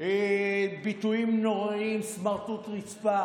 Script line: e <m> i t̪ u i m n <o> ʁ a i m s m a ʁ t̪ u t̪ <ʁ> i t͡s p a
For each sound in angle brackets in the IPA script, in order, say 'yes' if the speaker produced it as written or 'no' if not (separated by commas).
no, yes, yes